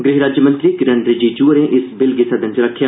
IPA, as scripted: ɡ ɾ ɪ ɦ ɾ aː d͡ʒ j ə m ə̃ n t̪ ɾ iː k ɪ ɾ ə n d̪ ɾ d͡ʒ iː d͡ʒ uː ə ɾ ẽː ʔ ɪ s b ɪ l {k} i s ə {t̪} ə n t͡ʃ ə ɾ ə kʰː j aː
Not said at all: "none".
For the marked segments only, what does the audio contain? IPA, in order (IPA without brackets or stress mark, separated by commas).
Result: ɡ, d̪